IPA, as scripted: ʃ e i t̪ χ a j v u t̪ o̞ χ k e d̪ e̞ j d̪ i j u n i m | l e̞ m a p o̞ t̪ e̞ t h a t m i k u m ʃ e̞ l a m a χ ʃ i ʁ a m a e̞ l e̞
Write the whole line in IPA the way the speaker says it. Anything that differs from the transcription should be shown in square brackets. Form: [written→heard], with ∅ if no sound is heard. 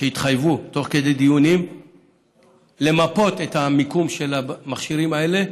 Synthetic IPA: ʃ e i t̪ χ a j v u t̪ o̞ χ k e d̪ e̞ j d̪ i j u n i m | l e̞ m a p o̞ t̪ e̞ t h a [t→∅] m i k u m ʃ e̞ l a m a χ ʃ i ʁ [a→i] m a e̞ l e̞